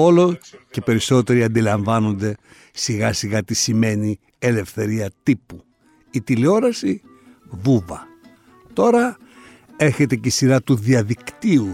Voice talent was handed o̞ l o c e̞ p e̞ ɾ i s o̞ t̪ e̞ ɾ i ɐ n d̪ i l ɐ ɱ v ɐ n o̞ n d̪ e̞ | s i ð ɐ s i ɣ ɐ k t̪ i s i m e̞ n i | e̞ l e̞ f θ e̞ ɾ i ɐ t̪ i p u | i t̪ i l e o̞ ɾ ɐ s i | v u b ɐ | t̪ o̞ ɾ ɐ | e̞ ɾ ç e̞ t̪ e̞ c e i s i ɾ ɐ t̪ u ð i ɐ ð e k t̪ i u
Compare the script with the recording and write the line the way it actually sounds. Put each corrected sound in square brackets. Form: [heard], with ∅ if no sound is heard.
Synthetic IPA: o̞ l o c e̞ p e̞ ɾ i s o̞ t̪ e̞ ɾ i ɐ n d̪ i l ɐ ɱ v ɐ n o̞ n d̪ e̞ | s i [ɣ] ɐ s i ɣ ɐ [∅] t̪ i s i m e̞ n i | e̞ l e̞ f θ e̞ ɾ i ɐ t̪ i p u | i t̪ i l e o̞ ɾ ɐ s i | v u [v] ɐ | t̪ o̞ ɾ ɐ | e̞ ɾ ç e̞ t̪ e̞ c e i s i ɾ ɐ t̪ u ð i ɐ ð [i] k t̪ i u